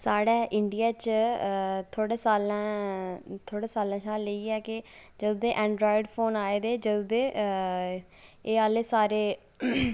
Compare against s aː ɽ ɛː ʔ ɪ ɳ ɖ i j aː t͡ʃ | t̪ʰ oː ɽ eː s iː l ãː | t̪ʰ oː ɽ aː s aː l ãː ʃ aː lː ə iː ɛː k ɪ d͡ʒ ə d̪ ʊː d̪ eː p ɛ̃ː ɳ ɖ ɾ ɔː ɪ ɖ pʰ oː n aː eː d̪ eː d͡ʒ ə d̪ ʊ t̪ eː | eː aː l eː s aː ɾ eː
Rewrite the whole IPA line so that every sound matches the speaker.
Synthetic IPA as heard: s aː ɽ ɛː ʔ ɪ ɳ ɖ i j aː t͡ʃ | t̪ʰ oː ɽ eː s aː l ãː | t̪ʰ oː ɽ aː s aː l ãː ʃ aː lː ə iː ɛː k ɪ d͡ʒ ə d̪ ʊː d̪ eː ʔ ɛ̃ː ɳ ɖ ɾ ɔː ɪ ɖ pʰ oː n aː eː d̪ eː d͡ʒ ə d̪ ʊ d̪ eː | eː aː l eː s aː ɾ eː